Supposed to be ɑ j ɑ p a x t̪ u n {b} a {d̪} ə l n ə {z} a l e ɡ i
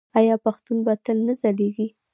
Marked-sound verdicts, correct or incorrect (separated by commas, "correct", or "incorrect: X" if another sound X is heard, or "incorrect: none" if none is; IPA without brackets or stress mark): correct, incorrect: t̪, correct